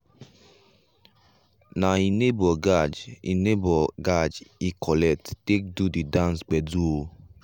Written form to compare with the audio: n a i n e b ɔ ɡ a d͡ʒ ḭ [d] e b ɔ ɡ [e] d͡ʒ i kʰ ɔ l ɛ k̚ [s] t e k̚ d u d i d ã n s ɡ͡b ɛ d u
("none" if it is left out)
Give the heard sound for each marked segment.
n, a, t

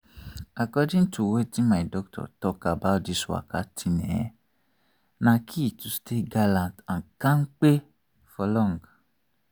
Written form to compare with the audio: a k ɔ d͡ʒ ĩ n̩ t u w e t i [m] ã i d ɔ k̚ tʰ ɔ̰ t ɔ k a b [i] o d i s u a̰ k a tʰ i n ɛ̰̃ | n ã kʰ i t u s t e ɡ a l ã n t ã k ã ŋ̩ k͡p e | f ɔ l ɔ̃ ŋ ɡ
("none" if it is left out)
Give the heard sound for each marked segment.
m, a

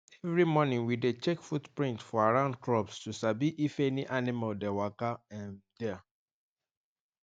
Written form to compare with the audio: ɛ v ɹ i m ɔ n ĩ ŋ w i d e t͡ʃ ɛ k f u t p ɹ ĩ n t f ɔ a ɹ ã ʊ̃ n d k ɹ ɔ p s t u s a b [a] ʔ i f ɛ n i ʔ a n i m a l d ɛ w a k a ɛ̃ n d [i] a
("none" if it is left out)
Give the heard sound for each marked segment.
i, ɛ

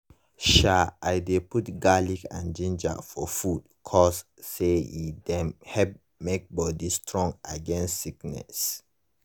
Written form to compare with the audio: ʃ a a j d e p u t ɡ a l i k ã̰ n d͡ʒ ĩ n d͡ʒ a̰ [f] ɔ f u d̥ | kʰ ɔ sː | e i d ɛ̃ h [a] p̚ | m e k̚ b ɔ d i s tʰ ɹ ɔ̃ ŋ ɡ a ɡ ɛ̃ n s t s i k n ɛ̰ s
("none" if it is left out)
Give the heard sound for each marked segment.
f, ɛ

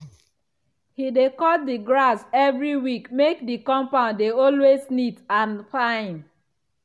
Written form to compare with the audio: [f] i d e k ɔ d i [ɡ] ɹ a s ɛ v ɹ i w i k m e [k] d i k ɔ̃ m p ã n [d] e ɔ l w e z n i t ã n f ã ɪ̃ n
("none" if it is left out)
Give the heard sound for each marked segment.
h, ɡ, k, d

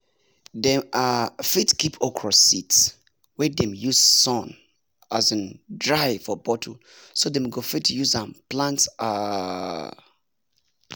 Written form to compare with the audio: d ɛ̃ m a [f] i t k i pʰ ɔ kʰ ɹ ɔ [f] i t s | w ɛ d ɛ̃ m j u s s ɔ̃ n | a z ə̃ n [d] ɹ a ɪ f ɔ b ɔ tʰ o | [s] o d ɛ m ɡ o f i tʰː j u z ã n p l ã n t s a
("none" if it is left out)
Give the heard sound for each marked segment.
f, s, d, s

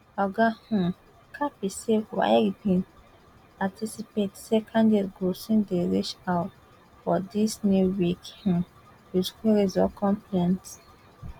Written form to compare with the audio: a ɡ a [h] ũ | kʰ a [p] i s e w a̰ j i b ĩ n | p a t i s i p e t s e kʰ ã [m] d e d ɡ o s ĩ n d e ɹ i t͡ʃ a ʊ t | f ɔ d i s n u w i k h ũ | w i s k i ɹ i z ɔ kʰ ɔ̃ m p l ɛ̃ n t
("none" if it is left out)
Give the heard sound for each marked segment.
h, p, n

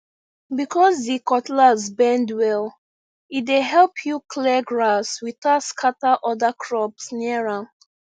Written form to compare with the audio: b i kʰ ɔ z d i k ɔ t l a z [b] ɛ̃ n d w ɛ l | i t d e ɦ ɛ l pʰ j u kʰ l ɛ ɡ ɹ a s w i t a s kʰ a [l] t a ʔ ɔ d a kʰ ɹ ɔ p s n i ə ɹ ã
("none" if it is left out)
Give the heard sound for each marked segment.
b, none

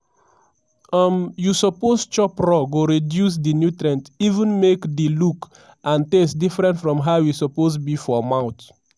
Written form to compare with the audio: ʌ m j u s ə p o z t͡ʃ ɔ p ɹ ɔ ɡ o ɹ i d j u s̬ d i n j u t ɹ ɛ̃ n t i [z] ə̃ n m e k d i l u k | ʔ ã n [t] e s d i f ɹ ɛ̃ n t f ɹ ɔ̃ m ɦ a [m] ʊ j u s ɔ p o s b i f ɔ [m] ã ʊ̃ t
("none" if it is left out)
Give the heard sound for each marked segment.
v, t, none, m

